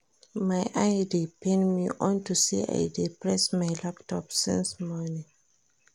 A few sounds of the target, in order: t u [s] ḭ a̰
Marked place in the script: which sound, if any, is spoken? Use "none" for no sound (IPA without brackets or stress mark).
s